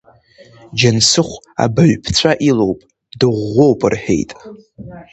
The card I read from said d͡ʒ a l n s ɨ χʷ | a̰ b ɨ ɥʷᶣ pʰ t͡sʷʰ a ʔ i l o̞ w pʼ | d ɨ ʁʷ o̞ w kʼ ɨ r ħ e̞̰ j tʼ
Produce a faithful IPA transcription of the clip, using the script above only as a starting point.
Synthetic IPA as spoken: d͡ʒ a n s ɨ χʷ | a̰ b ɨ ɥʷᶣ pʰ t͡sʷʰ a ʔ i l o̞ w pʼ | d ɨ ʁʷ o̞ w pʼ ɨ r ħ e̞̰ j tʼ